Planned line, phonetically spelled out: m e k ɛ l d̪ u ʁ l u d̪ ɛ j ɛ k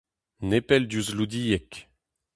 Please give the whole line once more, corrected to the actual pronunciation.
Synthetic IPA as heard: n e p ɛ l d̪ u z l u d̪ i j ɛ k